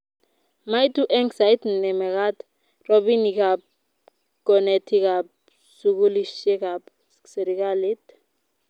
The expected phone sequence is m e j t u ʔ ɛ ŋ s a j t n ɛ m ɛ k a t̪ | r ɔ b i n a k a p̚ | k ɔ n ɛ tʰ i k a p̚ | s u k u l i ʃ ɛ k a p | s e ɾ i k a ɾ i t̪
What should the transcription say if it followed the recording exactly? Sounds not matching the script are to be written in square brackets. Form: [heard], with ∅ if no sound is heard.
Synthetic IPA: m [a] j t u ʔ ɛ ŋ s a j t n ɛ m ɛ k a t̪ | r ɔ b i n [i] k a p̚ | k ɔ n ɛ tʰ i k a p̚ | s u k u l i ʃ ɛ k a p | s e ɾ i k a [l] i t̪

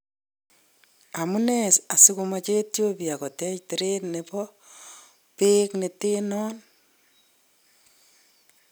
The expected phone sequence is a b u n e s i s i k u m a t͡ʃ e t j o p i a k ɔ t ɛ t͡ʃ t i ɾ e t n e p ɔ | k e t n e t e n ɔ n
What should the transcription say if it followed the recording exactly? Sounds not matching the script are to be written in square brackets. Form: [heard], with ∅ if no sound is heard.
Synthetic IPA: a [m] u n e s [a] s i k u m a t͡ʃ e t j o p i a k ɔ t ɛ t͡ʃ t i ɾ e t n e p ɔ | [p] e [k] n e t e n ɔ n

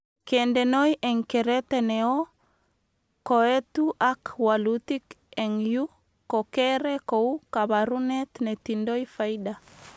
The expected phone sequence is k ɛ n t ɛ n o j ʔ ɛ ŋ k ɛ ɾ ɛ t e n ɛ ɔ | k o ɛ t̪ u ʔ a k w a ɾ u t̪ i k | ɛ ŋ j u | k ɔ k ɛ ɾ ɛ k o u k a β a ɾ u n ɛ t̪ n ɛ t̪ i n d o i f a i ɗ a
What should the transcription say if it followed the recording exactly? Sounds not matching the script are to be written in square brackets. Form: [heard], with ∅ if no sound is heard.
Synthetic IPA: k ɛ n [d] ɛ n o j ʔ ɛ ŋ k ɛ ɾ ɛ t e n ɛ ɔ | k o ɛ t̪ u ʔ a k w a [l] u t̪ i k | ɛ ŋ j u | k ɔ k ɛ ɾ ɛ k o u k a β a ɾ u n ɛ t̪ n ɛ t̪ i n d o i f a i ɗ a

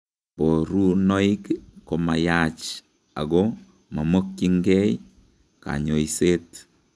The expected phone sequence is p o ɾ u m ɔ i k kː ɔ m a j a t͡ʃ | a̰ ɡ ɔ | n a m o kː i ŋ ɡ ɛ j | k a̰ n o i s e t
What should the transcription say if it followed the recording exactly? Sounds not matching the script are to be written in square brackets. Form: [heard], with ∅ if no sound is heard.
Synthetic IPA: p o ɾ u [n] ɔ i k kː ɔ m a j a t͡ʃ | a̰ ɡ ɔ | [m] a m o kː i ŋ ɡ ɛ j | k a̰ [ɲ] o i s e t

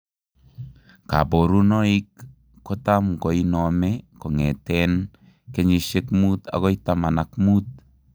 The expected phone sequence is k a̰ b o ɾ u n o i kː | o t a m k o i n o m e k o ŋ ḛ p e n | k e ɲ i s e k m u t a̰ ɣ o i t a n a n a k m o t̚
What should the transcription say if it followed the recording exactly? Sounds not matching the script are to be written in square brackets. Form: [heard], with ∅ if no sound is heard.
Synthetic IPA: k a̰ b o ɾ u n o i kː | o t a m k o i n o m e k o ŋ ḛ [t] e n | k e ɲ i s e k m u t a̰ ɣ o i t a [m] a n a k m [u] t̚

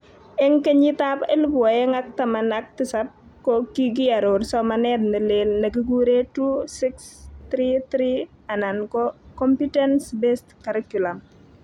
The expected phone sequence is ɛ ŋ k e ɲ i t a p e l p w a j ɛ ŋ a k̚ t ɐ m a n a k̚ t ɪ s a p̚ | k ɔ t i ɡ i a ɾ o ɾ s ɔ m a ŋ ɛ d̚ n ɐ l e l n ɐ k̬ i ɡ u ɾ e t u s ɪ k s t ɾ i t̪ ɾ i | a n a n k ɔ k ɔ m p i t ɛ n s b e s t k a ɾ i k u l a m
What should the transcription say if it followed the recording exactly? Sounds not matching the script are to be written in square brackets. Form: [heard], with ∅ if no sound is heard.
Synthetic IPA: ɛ ŋ k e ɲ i t a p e l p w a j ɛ ŋ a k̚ t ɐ m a n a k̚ t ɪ s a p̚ | k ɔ [k] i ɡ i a ɾ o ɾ s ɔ m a [n] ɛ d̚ n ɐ l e l n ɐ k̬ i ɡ u ɾ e t u s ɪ k s t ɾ i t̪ ɾ i | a n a n k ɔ k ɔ m p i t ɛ n s b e s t k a ɾ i k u l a m

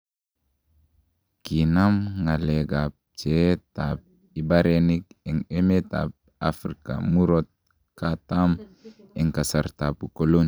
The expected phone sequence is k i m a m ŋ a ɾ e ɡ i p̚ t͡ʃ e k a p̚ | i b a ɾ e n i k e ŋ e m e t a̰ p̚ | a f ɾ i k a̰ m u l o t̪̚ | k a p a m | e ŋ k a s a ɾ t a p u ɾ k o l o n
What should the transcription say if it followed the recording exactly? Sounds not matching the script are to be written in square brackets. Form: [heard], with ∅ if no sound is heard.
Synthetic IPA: k i [n] a m ŋ a [l] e ɡ [a] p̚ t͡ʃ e [t] a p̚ | i b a ɾ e n i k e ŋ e m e t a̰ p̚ | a f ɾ i k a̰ m u [ɾ] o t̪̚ | k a [t] a m | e ŋ k a s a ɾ t a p u [∅] k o l o n

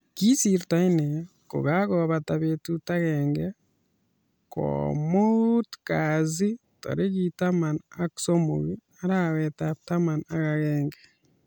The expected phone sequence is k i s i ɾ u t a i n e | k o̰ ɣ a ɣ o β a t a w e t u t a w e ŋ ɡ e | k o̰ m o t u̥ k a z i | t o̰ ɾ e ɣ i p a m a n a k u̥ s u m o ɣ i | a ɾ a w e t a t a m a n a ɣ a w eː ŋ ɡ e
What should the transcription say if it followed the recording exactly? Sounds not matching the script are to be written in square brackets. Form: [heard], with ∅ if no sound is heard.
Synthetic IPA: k i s i ɾ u t a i n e | k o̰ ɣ a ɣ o β a t a [β] e t u t a [ɣ] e ŋ ɡ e | k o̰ m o t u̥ k a z i | t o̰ ɾ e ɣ i [t] a m a n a k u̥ s [o] m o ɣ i | a ɾ a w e t a t a m a n a ɣ a [ɣ] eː ŋ ɡ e

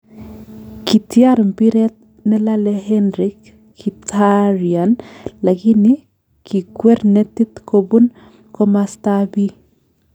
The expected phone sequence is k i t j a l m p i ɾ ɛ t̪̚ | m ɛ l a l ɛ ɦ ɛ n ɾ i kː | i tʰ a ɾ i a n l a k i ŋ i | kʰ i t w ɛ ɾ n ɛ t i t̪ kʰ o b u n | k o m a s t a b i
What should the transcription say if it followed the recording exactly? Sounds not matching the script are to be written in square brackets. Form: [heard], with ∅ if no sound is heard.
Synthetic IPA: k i t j a [ɾ] m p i ɾ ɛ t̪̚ | [n] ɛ l a l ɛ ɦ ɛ n ɾ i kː | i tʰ a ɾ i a n l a k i [n] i | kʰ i [k] w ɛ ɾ n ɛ t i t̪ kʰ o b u n | k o m a s t a b i

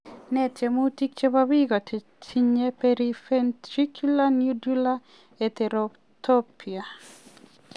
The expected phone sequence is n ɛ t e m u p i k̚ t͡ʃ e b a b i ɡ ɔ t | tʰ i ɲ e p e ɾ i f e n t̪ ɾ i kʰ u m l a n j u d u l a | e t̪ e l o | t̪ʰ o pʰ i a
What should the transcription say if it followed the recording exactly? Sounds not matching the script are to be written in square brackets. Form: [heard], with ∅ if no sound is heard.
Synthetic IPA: n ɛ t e m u [t] i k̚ t͡ʃ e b a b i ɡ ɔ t | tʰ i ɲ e p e ɾ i f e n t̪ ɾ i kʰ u [∅] l a n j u d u l a | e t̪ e [ɾ] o | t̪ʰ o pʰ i a

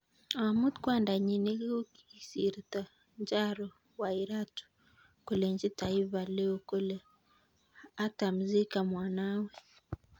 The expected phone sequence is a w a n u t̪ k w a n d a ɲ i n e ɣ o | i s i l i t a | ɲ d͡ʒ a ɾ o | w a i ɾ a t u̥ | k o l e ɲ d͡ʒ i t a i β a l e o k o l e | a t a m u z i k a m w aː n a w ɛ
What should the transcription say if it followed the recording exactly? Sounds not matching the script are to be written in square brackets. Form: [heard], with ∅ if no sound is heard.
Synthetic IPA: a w a [m] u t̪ k w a n d a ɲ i n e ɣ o | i s i [ɾ] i t a | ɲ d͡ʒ a ɾ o | w a i ɾ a t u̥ | k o l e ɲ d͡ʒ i t a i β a l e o k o l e | a t a m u z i k a m w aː n a w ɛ

